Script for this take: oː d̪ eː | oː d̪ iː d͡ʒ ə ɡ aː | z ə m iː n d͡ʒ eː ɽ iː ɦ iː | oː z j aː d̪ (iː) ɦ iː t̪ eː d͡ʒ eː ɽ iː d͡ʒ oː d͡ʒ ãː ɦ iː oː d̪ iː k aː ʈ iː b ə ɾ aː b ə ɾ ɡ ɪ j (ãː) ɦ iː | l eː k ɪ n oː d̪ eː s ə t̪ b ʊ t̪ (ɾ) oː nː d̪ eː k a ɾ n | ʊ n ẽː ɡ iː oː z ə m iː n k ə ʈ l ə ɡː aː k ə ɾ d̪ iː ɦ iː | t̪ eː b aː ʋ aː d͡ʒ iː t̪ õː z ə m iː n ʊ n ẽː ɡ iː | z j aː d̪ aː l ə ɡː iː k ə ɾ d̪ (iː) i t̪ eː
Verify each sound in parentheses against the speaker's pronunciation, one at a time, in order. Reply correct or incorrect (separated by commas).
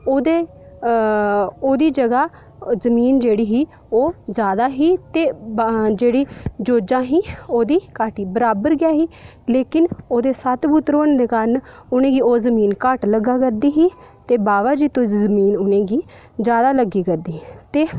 incorrect, incorrect, correct, correct